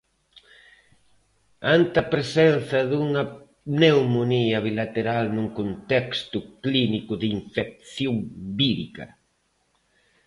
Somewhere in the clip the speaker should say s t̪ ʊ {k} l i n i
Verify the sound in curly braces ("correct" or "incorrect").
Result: correct